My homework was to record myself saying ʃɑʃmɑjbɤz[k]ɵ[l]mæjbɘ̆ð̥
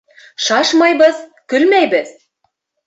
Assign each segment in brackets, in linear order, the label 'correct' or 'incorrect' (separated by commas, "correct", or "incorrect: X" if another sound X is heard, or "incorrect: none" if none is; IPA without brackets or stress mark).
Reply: correct, correct